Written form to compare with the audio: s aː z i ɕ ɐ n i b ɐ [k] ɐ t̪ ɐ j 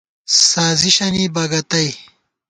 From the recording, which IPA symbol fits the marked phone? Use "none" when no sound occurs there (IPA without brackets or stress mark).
ɡ